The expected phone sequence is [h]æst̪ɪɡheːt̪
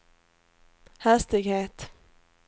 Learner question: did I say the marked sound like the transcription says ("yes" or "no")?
yes